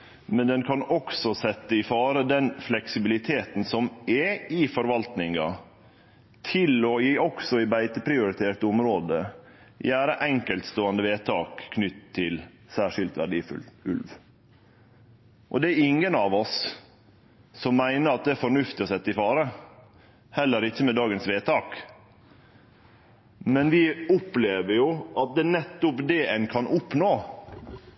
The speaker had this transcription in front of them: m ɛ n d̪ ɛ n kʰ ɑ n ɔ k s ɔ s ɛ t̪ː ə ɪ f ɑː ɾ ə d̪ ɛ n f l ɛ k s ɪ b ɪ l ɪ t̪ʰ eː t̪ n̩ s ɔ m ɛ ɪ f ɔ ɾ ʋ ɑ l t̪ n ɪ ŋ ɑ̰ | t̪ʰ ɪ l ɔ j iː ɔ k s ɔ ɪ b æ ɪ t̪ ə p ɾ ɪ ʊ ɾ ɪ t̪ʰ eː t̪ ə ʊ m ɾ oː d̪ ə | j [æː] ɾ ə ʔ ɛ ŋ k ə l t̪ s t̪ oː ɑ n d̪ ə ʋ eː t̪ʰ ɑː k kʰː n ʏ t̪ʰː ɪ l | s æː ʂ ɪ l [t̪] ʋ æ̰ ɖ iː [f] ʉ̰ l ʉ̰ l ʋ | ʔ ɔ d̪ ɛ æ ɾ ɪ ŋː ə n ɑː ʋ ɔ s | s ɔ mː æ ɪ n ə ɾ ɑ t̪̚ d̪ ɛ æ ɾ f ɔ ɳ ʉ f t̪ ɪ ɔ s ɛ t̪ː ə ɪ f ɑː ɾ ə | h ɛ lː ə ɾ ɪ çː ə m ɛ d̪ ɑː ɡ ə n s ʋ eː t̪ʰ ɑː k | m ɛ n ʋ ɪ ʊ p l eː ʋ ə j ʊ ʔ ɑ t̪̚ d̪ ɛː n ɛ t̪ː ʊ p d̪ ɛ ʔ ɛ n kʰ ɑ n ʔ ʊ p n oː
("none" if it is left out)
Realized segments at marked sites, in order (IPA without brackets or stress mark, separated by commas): æː, t̪, f